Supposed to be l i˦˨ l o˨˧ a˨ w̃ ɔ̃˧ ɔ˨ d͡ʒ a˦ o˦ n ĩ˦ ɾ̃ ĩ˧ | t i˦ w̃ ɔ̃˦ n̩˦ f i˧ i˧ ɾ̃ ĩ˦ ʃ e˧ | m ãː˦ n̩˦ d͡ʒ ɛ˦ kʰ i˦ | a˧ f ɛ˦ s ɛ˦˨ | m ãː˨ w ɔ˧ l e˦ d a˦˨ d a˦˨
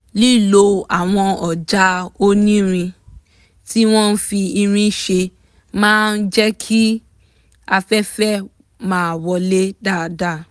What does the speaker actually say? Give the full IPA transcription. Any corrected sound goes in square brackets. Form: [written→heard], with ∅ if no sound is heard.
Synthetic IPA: l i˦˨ l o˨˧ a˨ w̃ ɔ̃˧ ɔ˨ d͡ʒ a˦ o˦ n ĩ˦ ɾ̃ ĩ˧ | t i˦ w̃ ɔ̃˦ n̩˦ f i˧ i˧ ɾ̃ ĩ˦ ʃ e˧ | m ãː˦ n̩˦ d͡ʒ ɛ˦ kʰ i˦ | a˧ f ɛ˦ [s→f] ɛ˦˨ | m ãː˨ w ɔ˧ l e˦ d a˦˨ d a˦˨